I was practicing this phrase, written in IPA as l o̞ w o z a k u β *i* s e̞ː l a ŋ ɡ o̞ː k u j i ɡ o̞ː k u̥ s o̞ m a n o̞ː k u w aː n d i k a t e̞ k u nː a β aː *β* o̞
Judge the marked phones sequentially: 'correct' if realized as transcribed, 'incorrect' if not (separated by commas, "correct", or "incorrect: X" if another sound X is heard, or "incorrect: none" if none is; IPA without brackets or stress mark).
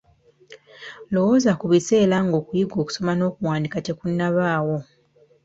correct, incorrect: w